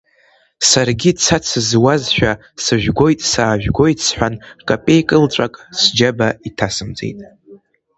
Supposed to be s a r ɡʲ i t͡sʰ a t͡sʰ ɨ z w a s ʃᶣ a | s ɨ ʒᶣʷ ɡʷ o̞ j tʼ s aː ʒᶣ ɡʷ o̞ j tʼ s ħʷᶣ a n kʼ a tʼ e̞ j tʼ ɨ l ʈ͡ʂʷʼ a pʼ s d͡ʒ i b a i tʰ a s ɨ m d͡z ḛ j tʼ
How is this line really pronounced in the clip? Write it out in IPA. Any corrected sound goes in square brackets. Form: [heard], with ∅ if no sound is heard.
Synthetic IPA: s a r ɡʲ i t͡sʰ a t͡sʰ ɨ z w a [z] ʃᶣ a | s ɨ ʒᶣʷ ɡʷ o̞ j tʼ s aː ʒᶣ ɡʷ o̞ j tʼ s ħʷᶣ a n kʼ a [pʼ] e̞ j [kʼ] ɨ l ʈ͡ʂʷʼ a [kʼ] s d͡ʒ [a] b a i tʰ a s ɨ m d͡z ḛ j tʼ